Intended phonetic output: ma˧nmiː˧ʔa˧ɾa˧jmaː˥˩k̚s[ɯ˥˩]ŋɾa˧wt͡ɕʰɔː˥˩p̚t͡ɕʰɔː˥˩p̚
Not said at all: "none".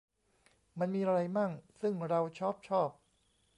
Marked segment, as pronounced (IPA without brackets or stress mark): ɯ˥˩